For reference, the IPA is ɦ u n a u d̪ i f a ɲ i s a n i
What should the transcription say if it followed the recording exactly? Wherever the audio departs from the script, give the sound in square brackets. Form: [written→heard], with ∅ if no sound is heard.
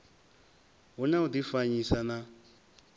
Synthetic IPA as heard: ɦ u n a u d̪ i f a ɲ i s a n [i→a]